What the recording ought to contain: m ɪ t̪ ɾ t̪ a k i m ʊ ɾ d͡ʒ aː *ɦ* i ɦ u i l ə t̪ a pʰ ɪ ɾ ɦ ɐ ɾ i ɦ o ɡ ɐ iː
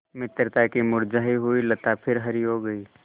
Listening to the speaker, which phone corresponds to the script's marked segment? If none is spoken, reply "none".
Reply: ɦ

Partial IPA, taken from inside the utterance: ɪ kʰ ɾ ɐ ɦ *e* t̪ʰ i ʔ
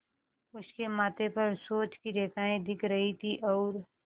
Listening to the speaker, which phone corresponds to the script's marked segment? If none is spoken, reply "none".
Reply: i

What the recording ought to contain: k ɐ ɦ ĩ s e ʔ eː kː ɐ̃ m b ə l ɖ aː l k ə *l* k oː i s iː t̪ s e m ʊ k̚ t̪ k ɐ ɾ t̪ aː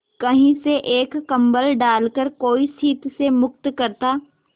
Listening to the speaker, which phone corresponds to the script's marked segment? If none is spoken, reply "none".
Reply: ɾ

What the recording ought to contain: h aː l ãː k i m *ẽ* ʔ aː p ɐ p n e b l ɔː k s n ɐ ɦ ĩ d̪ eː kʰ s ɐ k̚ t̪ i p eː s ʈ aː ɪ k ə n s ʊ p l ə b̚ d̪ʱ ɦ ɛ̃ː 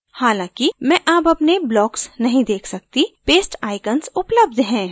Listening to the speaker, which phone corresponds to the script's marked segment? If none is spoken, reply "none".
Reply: ɛ̃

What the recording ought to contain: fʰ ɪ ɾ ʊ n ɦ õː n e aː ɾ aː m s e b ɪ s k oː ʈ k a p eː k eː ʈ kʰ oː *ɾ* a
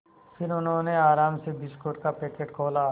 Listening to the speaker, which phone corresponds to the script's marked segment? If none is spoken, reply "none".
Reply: l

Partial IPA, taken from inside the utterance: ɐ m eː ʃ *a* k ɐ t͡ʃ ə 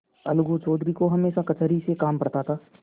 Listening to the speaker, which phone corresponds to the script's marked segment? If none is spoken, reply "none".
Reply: a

